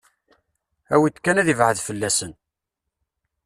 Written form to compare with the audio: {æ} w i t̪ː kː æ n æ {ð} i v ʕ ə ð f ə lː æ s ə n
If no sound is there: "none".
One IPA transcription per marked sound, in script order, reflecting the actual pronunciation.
æ, ð

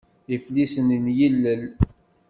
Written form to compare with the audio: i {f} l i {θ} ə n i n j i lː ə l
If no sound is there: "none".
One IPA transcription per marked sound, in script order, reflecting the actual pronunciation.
f, s

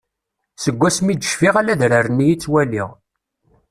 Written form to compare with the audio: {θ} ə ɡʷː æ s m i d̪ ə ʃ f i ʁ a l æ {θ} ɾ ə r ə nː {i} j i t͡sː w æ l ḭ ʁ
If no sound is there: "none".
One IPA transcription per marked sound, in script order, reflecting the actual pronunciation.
s, ð, i

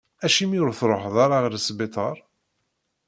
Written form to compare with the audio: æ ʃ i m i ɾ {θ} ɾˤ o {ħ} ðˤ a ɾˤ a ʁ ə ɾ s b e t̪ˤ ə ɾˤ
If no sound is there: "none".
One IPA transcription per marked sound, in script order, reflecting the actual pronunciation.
θ, ħ

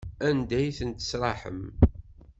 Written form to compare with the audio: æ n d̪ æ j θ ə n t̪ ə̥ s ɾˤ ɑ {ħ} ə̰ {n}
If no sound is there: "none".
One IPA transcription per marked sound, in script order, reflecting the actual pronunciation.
ħ, m

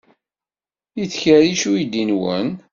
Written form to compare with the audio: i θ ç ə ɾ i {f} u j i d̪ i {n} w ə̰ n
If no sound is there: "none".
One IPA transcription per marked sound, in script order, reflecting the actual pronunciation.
ʃ, n

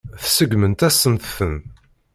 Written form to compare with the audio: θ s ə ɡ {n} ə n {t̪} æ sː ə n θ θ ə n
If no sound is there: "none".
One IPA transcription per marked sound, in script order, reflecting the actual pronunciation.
m, t̪

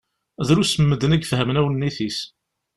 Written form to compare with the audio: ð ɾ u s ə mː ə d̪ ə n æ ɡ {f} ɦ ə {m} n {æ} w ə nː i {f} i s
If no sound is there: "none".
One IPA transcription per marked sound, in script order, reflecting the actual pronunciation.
f, m, æ, θ

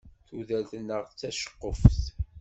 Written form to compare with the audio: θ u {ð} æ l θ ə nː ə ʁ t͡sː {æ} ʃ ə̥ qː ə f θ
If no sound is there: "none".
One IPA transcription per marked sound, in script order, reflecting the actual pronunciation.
ð, æ

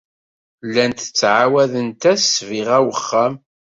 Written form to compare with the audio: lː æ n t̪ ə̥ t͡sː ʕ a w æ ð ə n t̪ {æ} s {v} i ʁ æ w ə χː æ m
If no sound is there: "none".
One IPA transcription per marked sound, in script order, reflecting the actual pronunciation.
æ, v

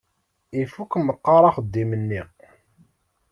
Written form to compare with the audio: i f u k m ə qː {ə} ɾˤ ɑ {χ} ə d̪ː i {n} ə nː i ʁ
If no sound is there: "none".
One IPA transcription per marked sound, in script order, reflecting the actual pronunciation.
ɑ, χ, m

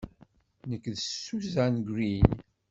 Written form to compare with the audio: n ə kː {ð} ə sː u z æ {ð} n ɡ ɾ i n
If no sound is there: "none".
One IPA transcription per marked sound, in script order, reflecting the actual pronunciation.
ð, none

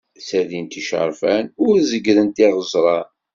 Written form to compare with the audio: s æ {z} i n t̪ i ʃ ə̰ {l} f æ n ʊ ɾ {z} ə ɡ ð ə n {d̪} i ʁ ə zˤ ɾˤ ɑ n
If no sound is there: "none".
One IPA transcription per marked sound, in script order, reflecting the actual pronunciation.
ð, ɾ, z, t̪

